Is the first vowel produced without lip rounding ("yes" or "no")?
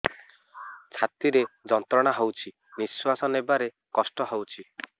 yes